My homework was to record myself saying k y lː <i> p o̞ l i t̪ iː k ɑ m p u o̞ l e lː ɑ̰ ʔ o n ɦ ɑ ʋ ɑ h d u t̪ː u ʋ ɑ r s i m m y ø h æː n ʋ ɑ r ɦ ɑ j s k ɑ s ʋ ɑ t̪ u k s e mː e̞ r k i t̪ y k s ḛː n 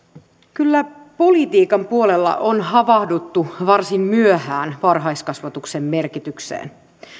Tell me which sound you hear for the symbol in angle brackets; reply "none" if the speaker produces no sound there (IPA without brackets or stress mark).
æ